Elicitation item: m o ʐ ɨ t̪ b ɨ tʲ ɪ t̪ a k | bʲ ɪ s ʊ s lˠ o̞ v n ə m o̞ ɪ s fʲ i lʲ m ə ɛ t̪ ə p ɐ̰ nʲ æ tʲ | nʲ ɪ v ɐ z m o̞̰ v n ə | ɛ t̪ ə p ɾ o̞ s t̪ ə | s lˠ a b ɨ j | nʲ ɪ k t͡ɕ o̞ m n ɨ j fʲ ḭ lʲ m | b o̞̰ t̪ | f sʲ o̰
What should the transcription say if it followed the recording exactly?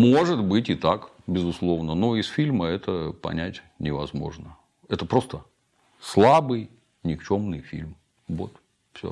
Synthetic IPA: m o ʐ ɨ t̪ b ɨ tʲ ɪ t̪ a k | bʲ ɪ z ʊ s lˠ o̞ v n ə n o̞ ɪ s fʲ i lʲ m ə ɛ t̪ ə p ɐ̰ nʲ æ tʲ | nʲ ɪ v ɐ z m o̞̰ ʐ n ə | ɛ t̪ ə p ɾ o̞ s t̪ ə | s lˠ a b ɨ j | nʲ ɪ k t͡ɕ o̞ m n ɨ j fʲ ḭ lʲ m | v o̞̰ t̪ | f sʲ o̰